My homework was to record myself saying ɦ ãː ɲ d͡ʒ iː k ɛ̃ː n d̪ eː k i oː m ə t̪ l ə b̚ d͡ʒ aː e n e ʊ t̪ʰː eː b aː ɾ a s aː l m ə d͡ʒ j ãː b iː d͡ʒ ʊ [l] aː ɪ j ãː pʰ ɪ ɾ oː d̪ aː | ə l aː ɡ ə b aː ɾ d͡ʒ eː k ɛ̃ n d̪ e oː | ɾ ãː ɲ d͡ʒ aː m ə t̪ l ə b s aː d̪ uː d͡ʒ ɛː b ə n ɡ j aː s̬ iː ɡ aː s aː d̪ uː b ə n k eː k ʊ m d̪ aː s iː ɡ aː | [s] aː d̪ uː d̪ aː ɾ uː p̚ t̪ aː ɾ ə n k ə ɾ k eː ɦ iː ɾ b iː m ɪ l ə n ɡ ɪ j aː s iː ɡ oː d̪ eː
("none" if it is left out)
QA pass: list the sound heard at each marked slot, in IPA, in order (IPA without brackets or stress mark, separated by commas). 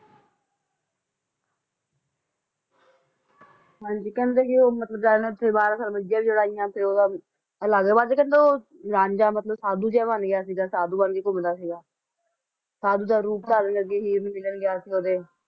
ɽ, s